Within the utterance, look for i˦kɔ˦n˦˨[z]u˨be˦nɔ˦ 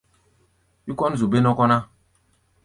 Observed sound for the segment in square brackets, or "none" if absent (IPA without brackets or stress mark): z